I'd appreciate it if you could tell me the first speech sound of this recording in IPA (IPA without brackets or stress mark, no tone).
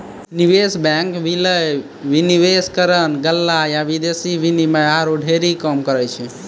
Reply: n